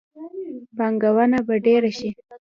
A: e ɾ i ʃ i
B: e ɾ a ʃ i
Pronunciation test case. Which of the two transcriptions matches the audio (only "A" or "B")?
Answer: B